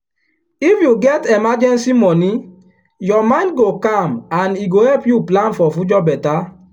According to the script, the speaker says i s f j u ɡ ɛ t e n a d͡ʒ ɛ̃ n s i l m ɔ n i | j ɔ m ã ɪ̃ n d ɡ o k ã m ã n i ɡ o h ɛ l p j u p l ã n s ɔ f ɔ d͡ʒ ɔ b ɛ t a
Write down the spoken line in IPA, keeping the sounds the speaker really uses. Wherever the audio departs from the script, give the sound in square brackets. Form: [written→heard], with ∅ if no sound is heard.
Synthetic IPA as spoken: i [s→∅] f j u ɡ ɛ t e [n→m] a d͡ʒ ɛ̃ n s i [l→∅] m ɔ n i | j ɔ m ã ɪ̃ n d ɡ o k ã m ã n i ɡ o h ɛ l p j u p l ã n [s→f] ɔ f [ɔ→u] d͡ʒ ɔ b ɛ t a